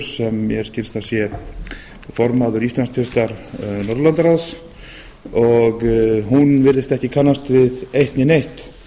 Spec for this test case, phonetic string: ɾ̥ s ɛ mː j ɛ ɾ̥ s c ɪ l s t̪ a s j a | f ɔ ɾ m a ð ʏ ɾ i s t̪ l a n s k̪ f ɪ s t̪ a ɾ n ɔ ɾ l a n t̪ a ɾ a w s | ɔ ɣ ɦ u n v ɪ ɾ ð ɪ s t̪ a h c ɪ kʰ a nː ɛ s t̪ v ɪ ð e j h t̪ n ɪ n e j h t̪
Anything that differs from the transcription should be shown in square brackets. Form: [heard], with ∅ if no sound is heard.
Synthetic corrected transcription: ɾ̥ s ɛ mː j ɛ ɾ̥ s c ɪ l s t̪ a s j [ɛ] | f ɔ ɾ m a ð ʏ ɾ i s t̪ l a n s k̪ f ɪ s t̪ a ɾ n ɔ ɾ l a n t̪ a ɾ a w s | ɔ ɣ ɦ u n v ɪ ɾ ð ɪ s t̪ [ɛ] h c ɪ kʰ a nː [a] s t̪ v ɪ ð e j h t̪ n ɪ n e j h t̪